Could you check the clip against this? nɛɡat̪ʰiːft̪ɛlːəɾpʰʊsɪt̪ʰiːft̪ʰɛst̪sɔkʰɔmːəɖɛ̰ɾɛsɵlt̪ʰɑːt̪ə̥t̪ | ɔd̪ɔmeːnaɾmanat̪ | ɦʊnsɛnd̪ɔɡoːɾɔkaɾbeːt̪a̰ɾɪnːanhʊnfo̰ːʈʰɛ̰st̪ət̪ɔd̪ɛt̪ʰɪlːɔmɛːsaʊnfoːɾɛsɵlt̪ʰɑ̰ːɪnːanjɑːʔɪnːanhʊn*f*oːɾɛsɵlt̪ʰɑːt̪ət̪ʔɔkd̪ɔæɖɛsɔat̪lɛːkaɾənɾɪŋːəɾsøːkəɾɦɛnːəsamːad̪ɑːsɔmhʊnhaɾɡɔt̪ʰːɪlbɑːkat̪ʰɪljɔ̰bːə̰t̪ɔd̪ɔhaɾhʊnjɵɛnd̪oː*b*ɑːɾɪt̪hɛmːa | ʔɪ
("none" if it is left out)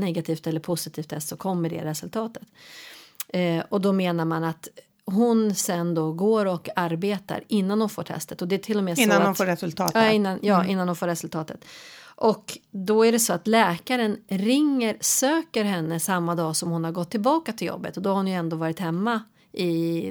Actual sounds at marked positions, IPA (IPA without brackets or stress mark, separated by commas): f, v